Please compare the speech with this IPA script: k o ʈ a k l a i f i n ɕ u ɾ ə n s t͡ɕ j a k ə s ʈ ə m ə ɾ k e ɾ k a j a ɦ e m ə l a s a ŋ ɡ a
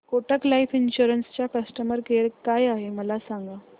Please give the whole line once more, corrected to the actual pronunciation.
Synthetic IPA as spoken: k o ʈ ə k l a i f i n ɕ u ɾ ə n s t͡ɕ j a k ə s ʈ ə m ə ɾ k e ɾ k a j a ɦ e m ə l a s a ŋ ɡ a